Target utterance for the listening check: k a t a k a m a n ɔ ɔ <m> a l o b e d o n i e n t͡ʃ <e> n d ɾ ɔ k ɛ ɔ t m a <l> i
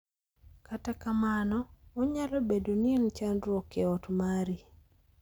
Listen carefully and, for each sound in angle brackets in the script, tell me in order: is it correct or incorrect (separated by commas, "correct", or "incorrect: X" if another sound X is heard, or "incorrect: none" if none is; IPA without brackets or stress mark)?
incorrect: ɲ, incorrect: a, incorrect: ɾ